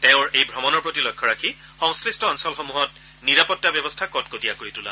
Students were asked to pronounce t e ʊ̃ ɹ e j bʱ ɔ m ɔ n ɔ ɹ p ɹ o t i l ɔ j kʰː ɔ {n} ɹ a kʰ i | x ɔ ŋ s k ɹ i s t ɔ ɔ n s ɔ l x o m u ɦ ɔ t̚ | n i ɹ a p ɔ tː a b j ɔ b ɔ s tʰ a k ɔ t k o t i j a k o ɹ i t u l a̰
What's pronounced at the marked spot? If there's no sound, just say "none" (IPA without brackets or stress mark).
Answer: none